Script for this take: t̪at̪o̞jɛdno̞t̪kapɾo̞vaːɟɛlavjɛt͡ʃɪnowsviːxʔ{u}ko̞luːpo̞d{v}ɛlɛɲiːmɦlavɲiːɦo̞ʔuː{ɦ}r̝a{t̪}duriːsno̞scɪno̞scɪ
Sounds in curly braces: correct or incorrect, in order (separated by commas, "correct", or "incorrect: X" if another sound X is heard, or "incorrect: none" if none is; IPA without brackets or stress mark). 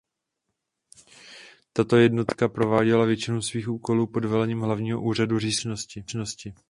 incorrect: uː, correct, incorrect: none, incorrect: none